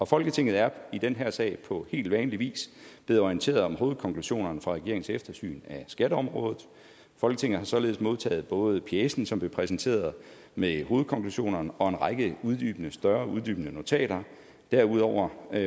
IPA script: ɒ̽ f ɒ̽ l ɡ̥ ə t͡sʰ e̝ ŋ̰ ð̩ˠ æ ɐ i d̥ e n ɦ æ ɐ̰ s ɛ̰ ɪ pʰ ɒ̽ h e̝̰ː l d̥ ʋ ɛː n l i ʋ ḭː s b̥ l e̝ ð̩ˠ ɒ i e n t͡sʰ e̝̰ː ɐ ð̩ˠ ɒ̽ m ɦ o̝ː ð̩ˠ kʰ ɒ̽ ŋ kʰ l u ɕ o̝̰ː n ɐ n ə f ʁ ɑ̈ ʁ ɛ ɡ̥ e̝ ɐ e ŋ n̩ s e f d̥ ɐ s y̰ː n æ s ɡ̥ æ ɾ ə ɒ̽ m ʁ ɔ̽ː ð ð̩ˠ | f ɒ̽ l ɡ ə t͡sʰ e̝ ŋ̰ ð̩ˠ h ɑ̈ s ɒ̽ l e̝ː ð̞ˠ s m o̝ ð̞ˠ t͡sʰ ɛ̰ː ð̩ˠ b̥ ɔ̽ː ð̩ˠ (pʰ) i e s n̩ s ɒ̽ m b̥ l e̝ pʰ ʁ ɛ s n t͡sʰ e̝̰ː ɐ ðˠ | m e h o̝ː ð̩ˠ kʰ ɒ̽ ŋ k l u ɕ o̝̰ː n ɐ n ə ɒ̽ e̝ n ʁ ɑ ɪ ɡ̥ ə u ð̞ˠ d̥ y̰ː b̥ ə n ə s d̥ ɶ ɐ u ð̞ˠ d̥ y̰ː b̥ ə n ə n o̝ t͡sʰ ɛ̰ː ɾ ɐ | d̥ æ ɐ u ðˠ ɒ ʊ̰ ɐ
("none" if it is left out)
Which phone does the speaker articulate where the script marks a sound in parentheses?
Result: pʰ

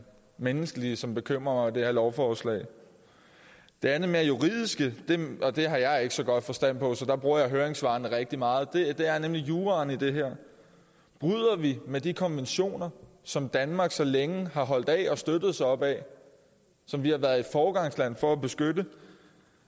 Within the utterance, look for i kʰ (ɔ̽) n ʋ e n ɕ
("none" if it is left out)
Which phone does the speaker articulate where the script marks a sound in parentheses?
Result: ɒ̽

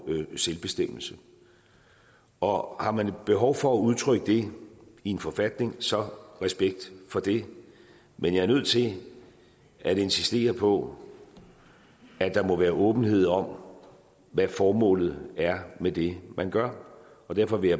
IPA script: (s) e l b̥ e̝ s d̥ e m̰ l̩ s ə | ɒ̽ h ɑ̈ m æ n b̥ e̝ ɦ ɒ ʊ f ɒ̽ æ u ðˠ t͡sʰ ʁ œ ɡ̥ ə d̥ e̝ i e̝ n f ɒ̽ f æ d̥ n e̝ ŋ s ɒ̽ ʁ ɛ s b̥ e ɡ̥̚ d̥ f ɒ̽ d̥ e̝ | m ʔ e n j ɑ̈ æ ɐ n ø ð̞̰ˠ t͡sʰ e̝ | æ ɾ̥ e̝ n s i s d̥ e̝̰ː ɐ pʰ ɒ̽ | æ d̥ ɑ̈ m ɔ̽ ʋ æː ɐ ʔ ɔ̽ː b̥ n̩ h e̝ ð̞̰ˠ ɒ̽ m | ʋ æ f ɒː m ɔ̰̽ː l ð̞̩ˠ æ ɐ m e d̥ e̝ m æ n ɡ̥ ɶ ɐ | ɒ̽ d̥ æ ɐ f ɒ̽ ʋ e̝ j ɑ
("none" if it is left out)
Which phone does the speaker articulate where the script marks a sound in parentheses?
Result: s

